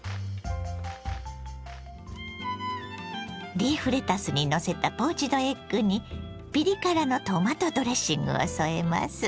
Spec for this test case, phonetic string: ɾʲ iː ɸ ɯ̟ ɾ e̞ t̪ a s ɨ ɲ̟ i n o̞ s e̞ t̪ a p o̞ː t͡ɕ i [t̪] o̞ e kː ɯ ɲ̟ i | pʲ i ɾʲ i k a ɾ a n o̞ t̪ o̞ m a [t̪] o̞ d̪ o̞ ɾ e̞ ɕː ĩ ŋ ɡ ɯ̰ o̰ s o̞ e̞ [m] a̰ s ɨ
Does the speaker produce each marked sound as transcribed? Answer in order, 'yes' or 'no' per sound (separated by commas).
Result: no, yes, yes